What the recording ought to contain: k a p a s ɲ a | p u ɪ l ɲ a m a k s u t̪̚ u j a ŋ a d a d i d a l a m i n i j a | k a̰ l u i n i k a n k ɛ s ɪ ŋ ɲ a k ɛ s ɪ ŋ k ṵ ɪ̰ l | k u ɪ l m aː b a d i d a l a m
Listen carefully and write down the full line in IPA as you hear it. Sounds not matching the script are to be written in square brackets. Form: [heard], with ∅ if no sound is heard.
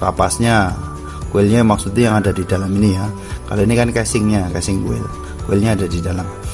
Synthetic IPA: k a p a s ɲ a | [k] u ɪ l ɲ a m a k s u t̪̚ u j a ŋ a d a d i d a l a m i n i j a | k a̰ l [o] i n i k a n k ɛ s ɪ ŋ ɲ a k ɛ s ɪ ŋ k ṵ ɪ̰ l | k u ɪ l [ɲ] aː [d] a d i d a l a m

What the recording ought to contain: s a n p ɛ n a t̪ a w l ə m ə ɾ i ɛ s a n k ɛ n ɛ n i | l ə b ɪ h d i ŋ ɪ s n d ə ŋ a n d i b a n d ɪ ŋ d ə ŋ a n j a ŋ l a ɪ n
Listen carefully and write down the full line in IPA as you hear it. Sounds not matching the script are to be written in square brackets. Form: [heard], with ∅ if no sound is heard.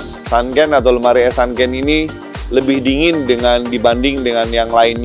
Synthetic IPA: s a n [k] ɛ n a t̪ a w l ə m [a] ɾ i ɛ s a n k ɛ n [i] n i | l ə b ɪ h d i ŋ ɪ [∅] n d ə ŋ a n d i b a n d ɪ ŋ d ə ŋ a n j a ŋ l a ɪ n

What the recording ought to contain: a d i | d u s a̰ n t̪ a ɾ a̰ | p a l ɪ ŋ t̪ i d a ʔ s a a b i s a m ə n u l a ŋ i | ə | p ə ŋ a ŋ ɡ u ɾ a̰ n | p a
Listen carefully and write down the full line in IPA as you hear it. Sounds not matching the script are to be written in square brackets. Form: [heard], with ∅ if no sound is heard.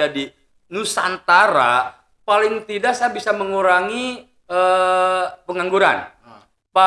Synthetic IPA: a d i | [n] u s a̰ n t̪ a ɾ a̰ | p a l ɪ ŋ t̪ i d a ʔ s a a b i s a m ə [ŋ] u [ɾ] a ŋ i | ə | p ə ŋ a ŋ ɡ u ɾ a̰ n | p a

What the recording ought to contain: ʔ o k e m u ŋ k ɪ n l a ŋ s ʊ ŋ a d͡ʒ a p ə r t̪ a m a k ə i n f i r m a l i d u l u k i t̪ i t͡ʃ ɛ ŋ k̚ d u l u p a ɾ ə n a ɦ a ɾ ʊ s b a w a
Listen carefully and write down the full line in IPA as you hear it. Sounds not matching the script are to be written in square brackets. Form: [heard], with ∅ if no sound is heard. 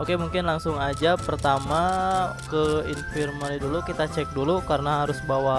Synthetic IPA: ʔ o k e m u ŋ k ɪ n l a ŋ s ʊ ŋ a d͡ʒ a p ə r t̪ a m a k ə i n f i r m a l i d u l u k i t̪ [a] t͡ʃ ɛ [∅] k̚ d u l u [k] a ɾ ə n a ɦ a ɾ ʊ s b a w a

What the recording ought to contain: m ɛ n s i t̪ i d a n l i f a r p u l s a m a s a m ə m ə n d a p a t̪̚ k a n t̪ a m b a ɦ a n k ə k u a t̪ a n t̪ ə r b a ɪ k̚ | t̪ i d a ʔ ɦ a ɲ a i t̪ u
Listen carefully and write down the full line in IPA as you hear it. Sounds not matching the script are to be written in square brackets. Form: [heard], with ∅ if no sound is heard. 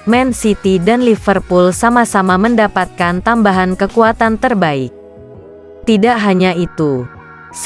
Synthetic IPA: m ɛ n s i t̪ i d a n l i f [ə] r p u l s a m a s a m [a] m ə n d a p a t̪̚ k a n t̪ a m b a ɦ a n k ə k u a t̪ a n t̪ ə r b a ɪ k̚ | t̪ i d a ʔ ɦ a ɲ a i t̪ u

